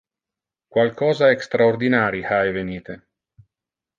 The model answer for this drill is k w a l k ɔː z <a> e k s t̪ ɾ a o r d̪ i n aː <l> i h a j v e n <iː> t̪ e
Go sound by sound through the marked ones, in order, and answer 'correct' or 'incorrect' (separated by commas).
correct, incorrect, correct